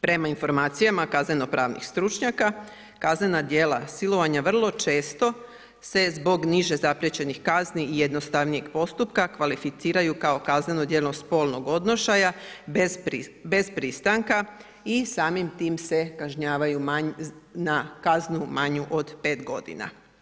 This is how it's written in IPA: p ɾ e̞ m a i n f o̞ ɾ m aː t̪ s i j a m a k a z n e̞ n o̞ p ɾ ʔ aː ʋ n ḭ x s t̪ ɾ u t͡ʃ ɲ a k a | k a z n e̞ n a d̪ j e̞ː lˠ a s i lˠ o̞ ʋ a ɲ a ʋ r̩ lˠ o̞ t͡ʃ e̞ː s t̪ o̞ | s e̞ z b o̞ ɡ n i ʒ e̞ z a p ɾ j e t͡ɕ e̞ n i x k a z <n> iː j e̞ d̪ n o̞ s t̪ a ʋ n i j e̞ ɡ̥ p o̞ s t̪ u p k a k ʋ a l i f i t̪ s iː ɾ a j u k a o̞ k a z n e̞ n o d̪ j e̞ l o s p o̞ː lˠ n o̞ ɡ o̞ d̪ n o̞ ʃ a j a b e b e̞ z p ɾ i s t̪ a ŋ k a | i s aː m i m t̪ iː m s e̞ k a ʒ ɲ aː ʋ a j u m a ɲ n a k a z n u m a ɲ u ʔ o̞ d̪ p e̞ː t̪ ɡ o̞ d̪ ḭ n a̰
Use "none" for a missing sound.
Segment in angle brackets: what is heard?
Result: n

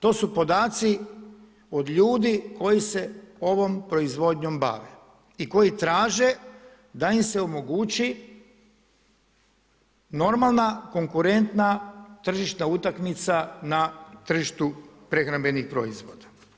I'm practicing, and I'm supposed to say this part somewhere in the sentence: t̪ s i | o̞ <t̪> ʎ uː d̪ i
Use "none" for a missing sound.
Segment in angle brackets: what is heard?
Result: d̪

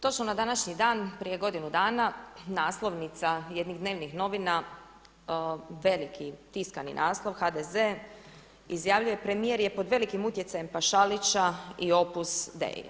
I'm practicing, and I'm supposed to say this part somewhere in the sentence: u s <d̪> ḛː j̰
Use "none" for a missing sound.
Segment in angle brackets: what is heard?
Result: d̪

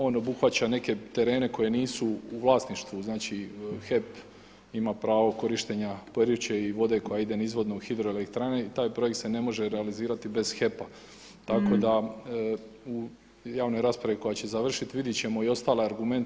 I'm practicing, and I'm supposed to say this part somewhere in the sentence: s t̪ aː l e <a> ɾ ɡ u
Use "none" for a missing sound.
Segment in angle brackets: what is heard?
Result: a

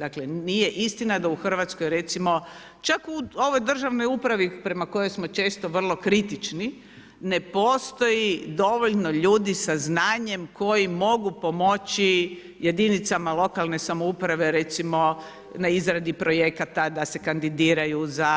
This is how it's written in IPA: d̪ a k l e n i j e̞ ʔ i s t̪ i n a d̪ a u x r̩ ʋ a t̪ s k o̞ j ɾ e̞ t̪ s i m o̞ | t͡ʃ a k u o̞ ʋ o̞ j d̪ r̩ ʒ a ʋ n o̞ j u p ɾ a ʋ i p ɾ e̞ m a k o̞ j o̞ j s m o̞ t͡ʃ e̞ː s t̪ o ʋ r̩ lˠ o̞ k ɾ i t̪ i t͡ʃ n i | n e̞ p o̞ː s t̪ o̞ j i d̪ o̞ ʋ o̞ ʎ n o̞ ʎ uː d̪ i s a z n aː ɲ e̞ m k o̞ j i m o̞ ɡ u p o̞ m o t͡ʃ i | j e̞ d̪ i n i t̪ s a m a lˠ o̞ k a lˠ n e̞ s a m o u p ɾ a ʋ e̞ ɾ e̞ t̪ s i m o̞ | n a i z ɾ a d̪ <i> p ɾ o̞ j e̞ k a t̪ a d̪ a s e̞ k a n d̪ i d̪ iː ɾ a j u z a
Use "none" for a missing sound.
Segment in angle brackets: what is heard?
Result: i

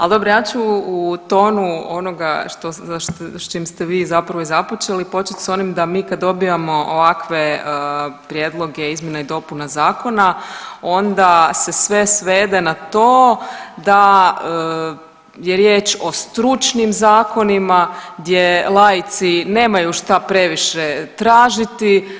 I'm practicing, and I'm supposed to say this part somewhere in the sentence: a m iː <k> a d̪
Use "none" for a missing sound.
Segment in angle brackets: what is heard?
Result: k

